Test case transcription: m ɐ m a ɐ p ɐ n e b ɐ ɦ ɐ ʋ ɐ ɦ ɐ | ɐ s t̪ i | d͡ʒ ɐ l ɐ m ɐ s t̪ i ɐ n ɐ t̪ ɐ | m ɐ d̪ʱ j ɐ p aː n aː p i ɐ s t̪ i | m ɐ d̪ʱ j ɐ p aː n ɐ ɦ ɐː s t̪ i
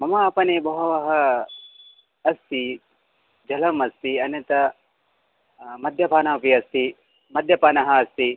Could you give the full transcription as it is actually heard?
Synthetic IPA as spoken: m ɐ m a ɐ p ɐ n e b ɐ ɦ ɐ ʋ ɐ ɦ ɐ | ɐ s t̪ i | d͡ʒ ɐ l ɐ m ɐ s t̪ i ɐ n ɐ t̪ ɐ | m ɐ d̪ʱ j ɐ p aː n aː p i ɐ s t̪ i | m ɐ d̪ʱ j ɐ p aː n ɐ ɦ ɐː s t̪ i